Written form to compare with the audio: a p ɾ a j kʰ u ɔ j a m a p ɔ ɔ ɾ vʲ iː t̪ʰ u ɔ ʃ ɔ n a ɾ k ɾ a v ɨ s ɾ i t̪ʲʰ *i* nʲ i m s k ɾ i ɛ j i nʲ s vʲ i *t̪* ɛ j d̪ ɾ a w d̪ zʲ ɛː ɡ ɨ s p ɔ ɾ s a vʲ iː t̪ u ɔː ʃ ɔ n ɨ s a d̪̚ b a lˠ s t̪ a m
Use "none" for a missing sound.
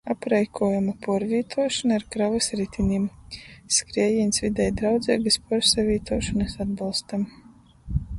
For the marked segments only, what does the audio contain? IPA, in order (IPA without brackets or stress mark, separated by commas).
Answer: i, d̪